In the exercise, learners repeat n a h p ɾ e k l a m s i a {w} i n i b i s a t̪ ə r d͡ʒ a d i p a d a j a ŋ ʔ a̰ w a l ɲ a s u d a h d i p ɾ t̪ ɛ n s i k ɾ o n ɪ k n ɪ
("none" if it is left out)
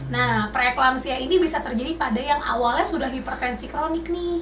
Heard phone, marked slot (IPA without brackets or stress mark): none